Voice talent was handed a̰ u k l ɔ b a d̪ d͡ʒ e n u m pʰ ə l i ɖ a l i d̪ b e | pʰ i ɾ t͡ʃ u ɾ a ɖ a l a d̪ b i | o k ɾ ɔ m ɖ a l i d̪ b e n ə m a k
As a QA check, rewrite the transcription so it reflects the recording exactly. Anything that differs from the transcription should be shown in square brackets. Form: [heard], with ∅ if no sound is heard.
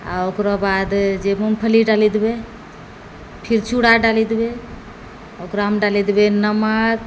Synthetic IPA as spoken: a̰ [o] k [ɾ] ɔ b a d̪ d͡ʒ e [m] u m pʰ ə l i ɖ a l i d̪ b e | pʰ i ɾ t͡ʃ u [ɽ] a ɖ a l [i] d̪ b [e] | o k ɾ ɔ m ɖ a l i d̪ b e n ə m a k